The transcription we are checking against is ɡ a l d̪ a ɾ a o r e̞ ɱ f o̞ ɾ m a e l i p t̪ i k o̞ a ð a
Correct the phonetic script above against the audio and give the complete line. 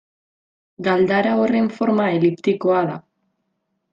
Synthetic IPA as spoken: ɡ a l d̪ a ɾ a o r e̞ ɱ f o̞ ɾ m a e l i p t̪ i k o̞ a ð a